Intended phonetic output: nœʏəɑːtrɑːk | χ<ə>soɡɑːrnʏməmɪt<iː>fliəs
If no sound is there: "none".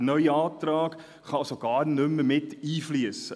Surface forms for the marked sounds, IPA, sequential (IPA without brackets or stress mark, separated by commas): ɑ, iː